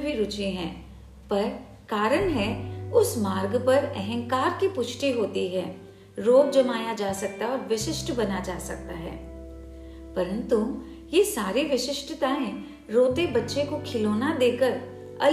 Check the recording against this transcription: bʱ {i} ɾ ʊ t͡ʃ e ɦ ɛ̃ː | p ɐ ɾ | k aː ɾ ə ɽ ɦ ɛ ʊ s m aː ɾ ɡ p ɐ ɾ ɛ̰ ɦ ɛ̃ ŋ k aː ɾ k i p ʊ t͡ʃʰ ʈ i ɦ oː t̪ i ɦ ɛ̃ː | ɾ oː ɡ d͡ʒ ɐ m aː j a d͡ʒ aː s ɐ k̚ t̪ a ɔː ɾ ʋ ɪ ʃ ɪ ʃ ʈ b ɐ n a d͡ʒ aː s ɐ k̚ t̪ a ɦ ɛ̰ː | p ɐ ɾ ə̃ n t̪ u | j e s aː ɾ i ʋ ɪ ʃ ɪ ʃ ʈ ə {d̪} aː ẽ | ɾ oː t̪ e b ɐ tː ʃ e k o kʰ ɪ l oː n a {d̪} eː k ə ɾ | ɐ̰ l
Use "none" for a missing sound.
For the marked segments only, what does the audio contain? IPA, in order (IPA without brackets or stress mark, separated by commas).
i, t̪, d̪